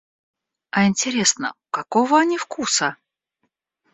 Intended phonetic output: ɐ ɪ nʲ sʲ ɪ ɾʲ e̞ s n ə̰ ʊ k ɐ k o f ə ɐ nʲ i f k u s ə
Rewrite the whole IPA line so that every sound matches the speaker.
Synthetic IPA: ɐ ɪ nʲ tʲ ɪ ɾʲ e̞ s n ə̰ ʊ k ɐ k o v ə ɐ nʲ i f k u s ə

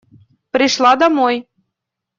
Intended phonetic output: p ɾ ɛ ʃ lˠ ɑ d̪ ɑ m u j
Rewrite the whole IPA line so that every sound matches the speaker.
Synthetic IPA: p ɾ i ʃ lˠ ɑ d̪ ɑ m o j

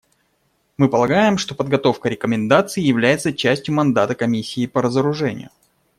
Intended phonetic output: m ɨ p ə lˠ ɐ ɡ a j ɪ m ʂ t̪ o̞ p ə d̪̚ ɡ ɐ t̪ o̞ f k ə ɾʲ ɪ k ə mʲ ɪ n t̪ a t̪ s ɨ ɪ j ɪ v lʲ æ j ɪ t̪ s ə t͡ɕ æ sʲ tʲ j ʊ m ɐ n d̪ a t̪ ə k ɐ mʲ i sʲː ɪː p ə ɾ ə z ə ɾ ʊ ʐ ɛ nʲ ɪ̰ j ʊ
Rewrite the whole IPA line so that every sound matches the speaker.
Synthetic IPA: m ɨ p ə lˠ ɐ ɡ a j ɪ m ʂ t̪ o̞ p ə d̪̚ ɡ ɐ t̪ o̞ f k ə ɾʲ ɪ k ə mʲ ɪ n d̪ a t̪ s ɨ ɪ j ɪ v lʲ æ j ɪ t̪ s ə t͡ɕ æ sʲ tʲ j ʊ m ɐ n d̪ a t̪ ə k ɐ mʲ i sʲː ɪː p ə ɾ ə z ə ɾ ʊ ʐ ɛ nʲ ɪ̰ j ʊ

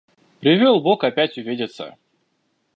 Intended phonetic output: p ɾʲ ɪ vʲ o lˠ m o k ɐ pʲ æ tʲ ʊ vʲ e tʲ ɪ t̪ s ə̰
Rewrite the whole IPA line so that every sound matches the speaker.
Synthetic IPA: p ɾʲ ɪ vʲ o lˠ b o k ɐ pʲ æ tʲ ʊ vʲ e dʲ ɪ t̪ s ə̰

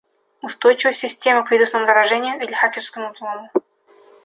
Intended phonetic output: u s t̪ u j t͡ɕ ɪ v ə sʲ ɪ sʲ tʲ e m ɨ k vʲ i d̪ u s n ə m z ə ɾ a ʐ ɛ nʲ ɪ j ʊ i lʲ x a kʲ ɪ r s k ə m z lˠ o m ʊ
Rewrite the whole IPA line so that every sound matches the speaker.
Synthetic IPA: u s t̪ o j t͡ɕ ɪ v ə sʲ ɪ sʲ tʲ e m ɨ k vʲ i d̪ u s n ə m z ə ɾ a ʐ ɛ nʲ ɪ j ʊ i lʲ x a kʲ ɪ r s k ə m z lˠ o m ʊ

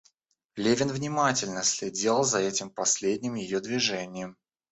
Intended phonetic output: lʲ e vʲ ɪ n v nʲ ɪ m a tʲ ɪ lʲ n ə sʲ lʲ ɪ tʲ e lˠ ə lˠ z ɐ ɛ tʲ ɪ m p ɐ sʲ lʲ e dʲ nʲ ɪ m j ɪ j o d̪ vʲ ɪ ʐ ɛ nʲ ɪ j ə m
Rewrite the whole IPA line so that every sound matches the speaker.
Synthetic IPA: lʲ e vʲ ɪ n v nʲ ɪ m a tʲ ɪ lʲ n ə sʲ lʲ ɪ dʲ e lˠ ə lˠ z ɐ ɛ tʲ ɪ m p ɐ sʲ lʲ e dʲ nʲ ɪ m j ɪ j o d̪ vʲ ɪ ʐ ɛ nʲ ɪ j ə m

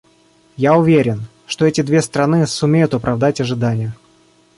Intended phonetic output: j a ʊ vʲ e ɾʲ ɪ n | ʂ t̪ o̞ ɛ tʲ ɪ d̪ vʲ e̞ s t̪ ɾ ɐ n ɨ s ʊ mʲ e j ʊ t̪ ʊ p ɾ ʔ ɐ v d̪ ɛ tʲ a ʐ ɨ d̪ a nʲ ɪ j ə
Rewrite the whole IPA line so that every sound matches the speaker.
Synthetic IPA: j a ʊ vʲ e ɾʲ ɪ n | ʂ t̪ o̞ ɛ tʲ ɪ d̪ vʲ e̞ s t̪ ɾ ɐ n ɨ s ʊ mʲ e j ʊ t̪ ʊ p ɾ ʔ ɐ v d̪ a tʲ ɐ ʐ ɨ d̪ a nʲ ɪ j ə

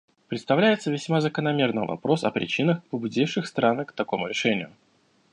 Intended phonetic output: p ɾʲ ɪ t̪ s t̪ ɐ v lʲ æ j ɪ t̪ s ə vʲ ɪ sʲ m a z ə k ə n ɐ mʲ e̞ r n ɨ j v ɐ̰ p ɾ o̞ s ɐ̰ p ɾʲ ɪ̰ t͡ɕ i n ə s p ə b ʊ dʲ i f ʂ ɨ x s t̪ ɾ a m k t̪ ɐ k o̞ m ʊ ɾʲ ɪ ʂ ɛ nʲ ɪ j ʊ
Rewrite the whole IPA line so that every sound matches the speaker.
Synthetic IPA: p ɾʲ ɪ t̪ s t̪ ɐ v lʲ æ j ɪ t̪ s ə vʲ ɪ sʲ m a z ə k ə n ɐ mʲ e̞ r n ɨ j v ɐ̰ p ɾ o̞ s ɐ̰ p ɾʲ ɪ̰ t͡ɕ i n ə x p ə b ʊ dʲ i f ʂ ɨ x s t̪ ɾ a n k t̪ ɐ k o̞ m ʊ ɾʲ ɪ ʂ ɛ nʲ ɪ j ʊ

